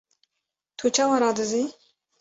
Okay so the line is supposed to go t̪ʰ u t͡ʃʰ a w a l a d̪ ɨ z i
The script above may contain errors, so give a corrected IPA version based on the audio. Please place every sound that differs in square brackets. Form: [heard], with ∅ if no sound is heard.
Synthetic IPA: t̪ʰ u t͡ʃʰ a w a [ɾ] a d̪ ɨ z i